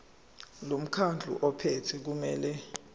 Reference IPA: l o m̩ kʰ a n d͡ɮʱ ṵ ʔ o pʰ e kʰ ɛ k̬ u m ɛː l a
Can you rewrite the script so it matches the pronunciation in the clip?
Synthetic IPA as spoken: l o m̩ kʰ a n d͡ɮʱ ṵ ʔ ɔ pʰ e tʰ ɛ k̬ u m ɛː l ɛ